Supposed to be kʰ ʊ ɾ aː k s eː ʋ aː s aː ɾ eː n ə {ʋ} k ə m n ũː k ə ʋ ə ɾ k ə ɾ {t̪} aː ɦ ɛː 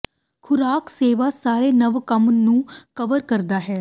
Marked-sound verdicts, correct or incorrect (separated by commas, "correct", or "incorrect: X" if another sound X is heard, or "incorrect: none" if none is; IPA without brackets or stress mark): correct, incorrect: d̪